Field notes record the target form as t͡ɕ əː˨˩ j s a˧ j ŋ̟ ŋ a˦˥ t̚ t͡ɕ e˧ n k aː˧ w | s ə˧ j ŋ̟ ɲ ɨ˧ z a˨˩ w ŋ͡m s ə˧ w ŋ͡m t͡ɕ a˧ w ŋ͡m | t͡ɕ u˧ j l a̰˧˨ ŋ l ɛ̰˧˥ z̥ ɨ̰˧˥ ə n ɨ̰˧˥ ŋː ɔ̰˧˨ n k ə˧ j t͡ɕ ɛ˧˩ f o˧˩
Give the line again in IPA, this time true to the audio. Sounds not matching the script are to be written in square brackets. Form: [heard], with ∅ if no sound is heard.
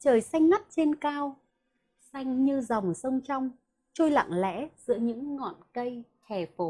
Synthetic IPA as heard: t͡ɕ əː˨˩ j s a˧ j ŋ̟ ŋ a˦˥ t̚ t͡ɕ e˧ n k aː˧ w | s [a˧] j ŋ̟ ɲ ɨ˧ z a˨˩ w ŋ͡m s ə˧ w ŋ͡m t͡ɕ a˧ w ŋ͡m | t͡ɕ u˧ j l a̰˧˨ ŋ l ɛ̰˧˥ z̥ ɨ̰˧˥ ə [ɲ] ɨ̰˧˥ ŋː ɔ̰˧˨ n k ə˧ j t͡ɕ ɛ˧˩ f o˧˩